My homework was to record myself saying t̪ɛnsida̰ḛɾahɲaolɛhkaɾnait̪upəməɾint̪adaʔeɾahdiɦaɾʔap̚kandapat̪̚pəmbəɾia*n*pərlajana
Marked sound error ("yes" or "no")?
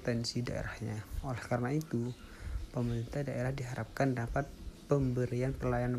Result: no